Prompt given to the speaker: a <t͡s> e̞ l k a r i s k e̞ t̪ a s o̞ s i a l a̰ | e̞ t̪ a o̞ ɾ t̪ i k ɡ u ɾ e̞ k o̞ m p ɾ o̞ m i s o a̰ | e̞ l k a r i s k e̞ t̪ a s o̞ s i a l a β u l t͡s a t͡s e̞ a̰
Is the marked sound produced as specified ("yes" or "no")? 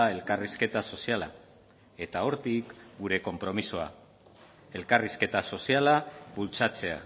no